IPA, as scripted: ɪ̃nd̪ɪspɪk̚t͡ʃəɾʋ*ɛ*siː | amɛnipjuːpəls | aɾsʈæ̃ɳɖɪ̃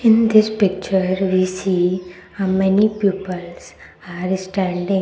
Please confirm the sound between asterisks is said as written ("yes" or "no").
no